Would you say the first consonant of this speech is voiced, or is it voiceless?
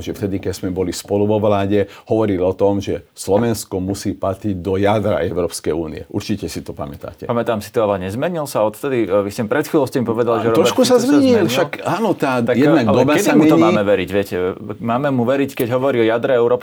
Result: voiced